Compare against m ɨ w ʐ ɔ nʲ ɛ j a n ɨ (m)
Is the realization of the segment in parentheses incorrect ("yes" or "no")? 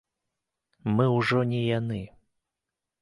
yes